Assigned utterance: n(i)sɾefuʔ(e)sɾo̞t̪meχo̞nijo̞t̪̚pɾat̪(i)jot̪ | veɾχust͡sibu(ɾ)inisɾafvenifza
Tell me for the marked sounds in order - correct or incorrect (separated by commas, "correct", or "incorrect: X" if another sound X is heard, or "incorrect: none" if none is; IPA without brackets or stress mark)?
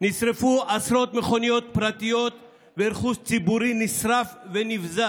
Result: correct, incorrect: a, correct, correct